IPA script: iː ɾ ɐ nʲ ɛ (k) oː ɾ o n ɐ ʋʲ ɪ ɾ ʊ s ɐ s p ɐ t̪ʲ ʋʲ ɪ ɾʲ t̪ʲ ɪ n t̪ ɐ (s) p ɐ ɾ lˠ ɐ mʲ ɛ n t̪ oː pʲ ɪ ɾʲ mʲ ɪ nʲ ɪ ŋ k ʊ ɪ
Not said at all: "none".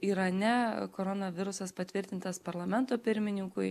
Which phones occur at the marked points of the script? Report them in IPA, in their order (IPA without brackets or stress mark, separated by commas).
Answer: k, s